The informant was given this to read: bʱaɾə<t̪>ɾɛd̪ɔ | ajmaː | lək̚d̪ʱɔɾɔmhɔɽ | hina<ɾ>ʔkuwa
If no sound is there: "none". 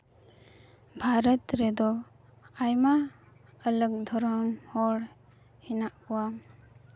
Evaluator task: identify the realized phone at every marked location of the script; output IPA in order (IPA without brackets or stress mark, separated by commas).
t̪, none